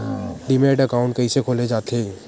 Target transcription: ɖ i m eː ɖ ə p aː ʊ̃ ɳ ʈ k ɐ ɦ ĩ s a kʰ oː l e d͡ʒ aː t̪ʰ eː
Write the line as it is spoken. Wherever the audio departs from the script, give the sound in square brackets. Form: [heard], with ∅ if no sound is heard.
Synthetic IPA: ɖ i m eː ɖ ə [k] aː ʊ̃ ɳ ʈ k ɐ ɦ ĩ s [e] kʰ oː l e d͡ʒ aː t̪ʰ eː